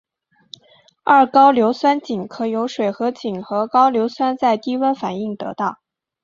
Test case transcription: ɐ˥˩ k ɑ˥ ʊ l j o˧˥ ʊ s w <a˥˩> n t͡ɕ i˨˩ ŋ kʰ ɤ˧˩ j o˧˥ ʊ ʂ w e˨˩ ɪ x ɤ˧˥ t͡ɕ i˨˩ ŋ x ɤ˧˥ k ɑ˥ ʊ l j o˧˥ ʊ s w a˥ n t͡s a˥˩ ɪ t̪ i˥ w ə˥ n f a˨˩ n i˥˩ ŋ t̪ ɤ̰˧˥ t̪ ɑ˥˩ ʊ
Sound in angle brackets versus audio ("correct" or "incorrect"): incorrect